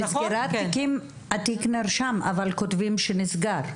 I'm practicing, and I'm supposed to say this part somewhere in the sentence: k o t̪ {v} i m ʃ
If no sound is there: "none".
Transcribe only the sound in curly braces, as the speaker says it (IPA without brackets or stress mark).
v